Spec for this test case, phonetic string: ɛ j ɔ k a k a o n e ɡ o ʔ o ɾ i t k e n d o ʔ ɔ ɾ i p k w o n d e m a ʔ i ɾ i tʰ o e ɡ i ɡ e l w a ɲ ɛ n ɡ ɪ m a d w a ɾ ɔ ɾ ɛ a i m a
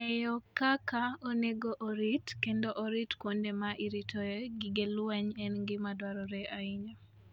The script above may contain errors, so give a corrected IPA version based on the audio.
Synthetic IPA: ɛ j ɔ k a k a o n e ɡ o ʔ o ɾ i t k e n d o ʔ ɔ ɾ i t k w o n d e m a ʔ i ɾ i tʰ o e ɡ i ɡ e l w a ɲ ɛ n ɡ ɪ m a d w a ɾ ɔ ɾ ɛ a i ɲ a

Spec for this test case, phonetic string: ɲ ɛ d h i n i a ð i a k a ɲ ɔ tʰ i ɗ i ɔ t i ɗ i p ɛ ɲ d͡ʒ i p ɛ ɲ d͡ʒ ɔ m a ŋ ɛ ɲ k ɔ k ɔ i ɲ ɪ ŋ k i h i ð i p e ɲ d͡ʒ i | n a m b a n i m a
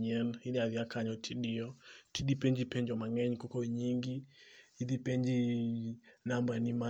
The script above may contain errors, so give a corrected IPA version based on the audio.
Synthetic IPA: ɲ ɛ n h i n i a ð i a k a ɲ ɔ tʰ i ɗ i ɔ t i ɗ i p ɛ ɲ d͡ʒ i p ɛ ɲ d͡ʒ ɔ m a ŋ ɛ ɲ k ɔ k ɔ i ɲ i ŋ ɡ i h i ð i p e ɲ d͡ʒ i | n a m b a n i m a

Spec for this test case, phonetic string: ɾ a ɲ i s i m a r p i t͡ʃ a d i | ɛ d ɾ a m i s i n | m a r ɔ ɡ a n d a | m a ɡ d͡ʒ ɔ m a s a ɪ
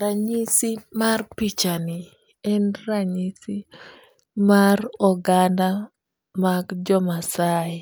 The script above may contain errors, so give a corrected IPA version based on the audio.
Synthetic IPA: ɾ a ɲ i s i m a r p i t͡ʃ a n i | ɛ n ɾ a ɲ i s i | m a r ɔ ɡ a n d a | m a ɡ d͡ʒ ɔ m a s a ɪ

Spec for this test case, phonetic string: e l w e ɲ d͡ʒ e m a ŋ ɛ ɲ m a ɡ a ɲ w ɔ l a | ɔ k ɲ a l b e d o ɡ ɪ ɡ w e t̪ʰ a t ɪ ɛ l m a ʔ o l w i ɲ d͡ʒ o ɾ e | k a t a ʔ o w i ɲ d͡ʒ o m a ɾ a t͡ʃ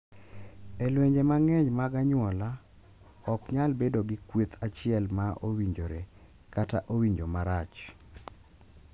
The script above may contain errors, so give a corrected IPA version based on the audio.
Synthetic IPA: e l w e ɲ d͡ʒ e m a ŋ ɛ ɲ m a ɡ a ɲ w ɔ l a | ɔ k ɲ a l b e d o ɡ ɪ k w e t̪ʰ a t͡ʃ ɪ ɛ l m a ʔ o w i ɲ d͡ʒ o ɾ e | k a t a ʔ o w i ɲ d͡ʒ o m a ɾ a t͡ʃ

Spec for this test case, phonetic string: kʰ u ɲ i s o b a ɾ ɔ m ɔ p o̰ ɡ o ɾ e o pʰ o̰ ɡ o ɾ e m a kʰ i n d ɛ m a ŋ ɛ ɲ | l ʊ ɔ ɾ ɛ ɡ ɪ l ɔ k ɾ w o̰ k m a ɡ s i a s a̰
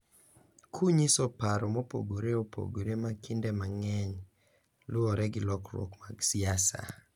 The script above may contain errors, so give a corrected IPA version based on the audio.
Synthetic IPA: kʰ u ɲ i s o p a ɾ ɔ m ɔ p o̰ ɡ o ɾ e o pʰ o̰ ɡ o ɾ e m a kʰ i n d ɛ m a ŋ ɛ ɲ | l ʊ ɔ ɾ ɛ ɡ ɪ l ɔ k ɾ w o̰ k m a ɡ s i a s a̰

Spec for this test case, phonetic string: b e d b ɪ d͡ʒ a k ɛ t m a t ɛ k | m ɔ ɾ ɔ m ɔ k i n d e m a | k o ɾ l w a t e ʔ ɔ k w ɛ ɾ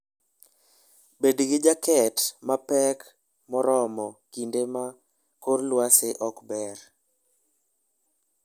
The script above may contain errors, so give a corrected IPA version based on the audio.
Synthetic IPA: b e d ɡ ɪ d͡ʒ a k ɛ t m a p ɛ k | m ɔ ɾ ɔ m ɔ k i n d e m a | k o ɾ l w a s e ʔ ɔ k b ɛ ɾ

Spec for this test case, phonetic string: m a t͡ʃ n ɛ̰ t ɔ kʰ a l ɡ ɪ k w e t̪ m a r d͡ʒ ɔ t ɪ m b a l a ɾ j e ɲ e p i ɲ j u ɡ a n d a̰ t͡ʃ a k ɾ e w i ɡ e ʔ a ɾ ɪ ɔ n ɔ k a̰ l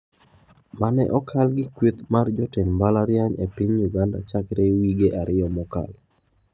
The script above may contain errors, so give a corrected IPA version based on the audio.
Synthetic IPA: m a n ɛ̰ ʔ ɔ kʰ a l ɡ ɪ k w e t̪ m a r d͡ʒ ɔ t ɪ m b a l a ɾ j a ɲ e p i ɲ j u ɡ a n d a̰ t͡ʃ a k ɾ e w i ɡ e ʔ a ɾ ɪ ɔ m ɔ k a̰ l

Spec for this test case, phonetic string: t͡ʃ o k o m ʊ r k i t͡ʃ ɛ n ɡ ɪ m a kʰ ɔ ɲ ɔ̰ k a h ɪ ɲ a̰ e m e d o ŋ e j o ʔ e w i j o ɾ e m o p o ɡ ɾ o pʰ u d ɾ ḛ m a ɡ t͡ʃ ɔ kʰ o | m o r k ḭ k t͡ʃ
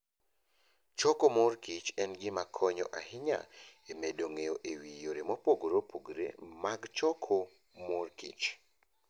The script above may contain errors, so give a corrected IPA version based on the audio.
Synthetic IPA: t͡ʃ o k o m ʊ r k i t͡ʃ ɛ n ɡ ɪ m a kʰ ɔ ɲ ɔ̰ ʔ a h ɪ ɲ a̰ e m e d o ŋ e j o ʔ e w i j o ɾ e m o p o ɡ ɾ o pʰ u ɡ ɾ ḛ m a ɡ t͡ʃ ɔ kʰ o | m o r k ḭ t͡ʃ

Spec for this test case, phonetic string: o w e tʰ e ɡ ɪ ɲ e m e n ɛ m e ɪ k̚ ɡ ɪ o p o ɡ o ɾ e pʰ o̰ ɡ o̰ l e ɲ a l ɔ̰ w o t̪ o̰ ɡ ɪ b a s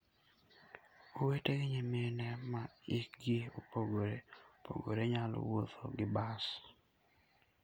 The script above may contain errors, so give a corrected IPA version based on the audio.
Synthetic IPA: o w e t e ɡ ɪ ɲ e m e n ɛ m a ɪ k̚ ɡ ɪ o p o ɡ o ɾ e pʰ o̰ ɡ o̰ ɾ e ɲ a l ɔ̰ w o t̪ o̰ ɡ ɪ b a s

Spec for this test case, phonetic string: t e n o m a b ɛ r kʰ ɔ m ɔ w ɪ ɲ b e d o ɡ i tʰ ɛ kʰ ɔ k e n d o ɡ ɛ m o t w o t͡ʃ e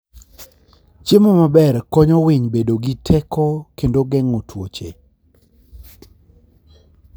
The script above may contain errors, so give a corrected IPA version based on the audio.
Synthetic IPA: t͡ʃ e m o m a b ɛ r k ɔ ɲ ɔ w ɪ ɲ b e d o ɡ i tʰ ɛ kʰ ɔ k e n d o ɡ ɛ ŋ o t w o t͡ʃ e

